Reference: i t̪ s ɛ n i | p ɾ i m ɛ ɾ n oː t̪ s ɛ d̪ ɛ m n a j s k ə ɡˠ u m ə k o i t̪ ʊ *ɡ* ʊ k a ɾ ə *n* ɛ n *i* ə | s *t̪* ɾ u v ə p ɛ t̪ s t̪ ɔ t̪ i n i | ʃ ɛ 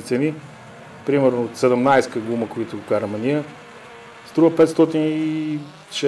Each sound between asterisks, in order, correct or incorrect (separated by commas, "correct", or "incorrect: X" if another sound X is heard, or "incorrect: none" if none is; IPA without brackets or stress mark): correct, incorrect: m, correct, correct